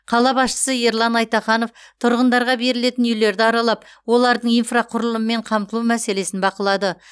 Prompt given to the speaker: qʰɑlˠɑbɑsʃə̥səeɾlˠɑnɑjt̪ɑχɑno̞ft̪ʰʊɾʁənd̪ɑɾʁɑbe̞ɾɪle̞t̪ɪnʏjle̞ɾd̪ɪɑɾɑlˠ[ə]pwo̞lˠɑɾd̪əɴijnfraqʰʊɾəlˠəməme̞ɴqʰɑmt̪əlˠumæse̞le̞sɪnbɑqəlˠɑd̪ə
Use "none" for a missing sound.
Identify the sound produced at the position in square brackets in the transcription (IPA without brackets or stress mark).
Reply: ɑ